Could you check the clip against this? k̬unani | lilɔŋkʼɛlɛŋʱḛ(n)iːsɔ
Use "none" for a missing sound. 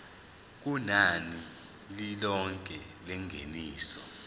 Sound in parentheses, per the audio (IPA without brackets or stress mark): n